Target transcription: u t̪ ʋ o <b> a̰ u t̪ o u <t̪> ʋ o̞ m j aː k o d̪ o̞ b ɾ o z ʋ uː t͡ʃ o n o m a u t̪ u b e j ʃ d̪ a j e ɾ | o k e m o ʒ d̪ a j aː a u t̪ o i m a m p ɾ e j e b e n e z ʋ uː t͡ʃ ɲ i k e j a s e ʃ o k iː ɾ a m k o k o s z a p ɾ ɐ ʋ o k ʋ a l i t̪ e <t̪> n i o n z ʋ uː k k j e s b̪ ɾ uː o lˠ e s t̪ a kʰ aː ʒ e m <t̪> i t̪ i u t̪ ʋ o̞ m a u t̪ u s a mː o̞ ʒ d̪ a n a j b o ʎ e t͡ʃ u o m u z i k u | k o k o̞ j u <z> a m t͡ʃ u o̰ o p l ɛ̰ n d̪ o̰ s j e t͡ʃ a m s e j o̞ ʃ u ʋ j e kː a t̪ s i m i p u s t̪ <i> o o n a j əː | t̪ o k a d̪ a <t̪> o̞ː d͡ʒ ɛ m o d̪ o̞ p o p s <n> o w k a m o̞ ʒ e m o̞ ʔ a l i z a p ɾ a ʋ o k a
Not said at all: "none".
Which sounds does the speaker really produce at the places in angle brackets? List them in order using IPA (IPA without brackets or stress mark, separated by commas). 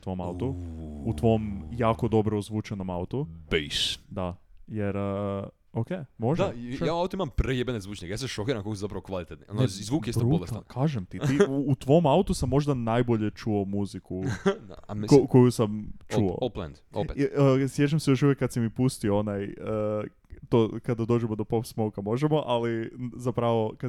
m, t̪, t̪, t̪, s, i, d̪, m